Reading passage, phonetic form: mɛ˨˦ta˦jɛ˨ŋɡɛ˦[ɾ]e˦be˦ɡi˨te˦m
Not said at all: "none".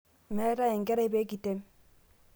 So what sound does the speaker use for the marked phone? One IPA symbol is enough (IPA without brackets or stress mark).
ɾ